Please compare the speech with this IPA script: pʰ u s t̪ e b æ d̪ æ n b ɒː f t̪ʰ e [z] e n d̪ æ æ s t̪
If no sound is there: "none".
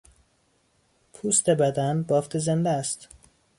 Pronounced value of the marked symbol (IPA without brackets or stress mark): z